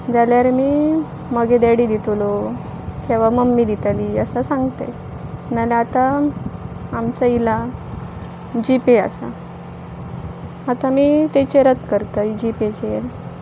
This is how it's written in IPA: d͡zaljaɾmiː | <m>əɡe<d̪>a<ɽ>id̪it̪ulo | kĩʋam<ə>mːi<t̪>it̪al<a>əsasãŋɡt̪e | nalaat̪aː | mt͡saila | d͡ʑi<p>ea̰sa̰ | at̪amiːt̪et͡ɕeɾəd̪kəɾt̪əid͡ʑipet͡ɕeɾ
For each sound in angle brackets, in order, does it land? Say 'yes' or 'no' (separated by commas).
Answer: yes, yes, yes, yes, no, no, yes